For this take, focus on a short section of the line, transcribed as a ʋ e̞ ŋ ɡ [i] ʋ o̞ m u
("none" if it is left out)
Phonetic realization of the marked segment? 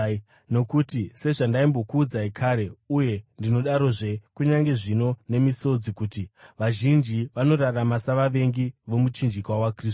i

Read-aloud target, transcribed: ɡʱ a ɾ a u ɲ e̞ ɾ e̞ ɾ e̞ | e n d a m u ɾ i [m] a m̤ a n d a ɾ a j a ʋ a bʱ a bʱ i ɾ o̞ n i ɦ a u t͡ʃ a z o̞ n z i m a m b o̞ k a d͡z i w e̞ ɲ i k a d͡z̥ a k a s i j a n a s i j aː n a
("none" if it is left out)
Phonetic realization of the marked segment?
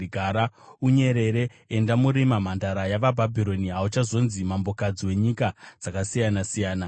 m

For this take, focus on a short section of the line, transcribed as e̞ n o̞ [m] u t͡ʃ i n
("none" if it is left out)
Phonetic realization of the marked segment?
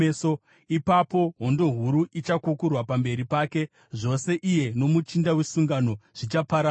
m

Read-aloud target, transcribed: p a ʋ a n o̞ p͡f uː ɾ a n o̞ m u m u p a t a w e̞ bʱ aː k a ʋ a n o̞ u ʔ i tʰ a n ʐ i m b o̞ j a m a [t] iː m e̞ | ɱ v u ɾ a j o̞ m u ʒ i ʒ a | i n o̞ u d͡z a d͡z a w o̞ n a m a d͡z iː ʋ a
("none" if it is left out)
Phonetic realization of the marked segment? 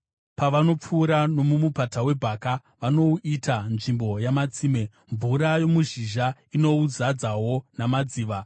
t͡s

